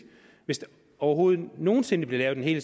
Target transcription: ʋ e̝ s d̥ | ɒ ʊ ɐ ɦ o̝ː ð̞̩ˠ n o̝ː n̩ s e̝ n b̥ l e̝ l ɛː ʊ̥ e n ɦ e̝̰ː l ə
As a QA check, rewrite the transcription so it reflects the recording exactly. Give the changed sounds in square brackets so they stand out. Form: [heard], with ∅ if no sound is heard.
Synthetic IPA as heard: ʋ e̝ s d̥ | ɒ ʊ ɐ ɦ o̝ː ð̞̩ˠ n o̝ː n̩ s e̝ n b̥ l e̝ l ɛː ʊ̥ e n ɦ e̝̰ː l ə